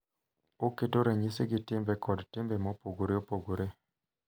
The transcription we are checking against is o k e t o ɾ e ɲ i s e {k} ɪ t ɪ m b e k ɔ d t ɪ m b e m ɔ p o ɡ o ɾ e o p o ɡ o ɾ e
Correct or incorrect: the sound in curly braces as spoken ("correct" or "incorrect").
incorrect